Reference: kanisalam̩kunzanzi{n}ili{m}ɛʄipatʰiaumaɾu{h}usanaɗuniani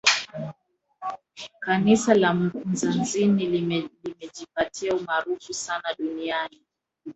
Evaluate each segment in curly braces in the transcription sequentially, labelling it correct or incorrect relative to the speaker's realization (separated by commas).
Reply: correct, correct, incorrect